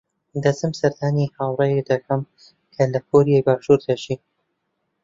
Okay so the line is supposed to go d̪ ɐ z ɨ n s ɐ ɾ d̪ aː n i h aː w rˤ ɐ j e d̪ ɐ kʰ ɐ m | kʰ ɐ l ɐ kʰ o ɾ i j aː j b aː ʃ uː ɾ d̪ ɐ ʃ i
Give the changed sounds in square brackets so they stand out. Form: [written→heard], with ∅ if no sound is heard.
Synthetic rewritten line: d̪ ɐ z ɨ [n→m] s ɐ ɾ d̪ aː n i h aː w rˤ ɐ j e d̪ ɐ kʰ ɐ m | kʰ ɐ l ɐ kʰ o ɾ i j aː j b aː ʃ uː ɾ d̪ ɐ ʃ i